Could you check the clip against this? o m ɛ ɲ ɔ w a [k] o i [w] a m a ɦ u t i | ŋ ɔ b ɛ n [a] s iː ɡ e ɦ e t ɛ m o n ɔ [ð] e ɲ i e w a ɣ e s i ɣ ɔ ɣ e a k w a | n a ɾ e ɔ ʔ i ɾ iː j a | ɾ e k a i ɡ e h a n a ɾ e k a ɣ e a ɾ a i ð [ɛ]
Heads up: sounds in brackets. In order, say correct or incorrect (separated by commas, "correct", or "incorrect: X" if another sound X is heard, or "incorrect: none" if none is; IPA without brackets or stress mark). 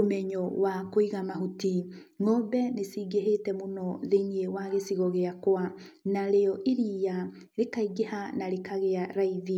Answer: correct, incorrect: ɣ, incorrect: e, correct, incorrect: i